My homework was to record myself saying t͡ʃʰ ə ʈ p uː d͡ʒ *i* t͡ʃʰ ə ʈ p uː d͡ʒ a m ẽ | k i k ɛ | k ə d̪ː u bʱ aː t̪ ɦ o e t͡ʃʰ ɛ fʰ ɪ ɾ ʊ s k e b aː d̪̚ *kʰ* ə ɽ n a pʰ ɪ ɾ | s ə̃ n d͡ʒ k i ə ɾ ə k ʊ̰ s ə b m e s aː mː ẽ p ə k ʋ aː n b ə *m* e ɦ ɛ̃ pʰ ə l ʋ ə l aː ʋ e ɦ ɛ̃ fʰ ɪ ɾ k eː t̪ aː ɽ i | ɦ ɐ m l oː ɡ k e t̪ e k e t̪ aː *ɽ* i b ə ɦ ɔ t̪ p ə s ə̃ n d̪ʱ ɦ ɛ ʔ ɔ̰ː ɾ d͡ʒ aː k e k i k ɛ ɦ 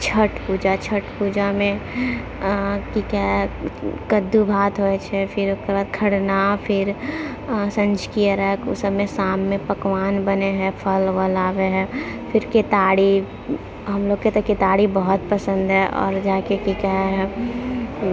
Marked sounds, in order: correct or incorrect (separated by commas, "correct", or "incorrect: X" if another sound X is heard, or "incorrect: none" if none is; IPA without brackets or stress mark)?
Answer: incorrect: a, correct, incorrect: n, correct